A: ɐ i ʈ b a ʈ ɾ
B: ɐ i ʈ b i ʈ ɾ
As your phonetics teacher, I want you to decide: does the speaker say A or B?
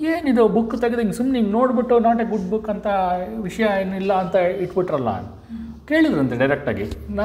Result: B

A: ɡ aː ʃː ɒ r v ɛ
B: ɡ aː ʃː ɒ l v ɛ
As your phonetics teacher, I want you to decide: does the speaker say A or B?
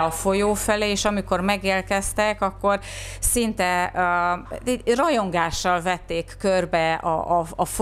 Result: B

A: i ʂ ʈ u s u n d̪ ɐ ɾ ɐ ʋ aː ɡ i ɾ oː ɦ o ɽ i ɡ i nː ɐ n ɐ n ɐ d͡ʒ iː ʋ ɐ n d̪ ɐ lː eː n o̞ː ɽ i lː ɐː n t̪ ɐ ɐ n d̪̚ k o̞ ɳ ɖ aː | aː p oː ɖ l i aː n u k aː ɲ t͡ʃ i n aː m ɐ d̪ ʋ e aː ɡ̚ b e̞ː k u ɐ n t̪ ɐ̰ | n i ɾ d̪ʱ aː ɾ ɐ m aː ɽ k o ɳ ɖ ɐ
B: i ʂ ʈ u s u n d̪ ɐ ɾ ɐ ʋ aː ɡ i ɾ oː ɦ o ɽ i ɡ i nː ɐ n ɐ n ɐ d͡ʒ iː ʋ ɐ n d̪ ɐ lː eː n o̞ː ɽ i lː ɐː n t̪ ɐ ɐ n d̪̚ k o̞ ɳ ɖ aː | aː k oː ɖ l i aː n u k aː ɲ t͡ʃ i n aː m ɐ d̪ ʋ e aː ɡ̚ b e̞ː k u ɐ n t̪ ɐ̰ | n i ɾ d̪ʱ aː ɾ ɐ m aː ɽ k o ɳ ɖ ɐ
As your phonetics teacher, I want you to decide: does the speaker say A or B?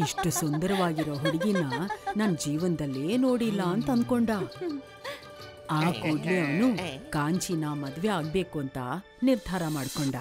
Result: B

